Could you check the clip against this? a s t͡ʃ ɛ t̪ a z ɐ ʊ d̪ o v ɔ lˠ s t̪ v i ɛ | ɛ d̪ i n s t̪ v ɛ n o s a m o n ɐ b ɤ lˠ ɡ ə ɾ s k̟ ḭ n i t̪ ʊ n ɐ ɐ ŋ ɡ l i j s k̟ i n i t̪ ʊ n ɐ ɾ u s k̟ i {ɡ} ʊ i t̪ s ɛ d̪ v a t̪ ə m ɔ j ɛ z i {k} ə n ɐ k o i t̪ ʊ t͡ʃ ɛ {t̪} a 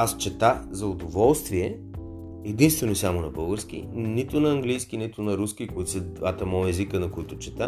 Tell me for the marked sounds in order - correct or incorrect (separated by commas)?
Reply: incorrect, correct, correct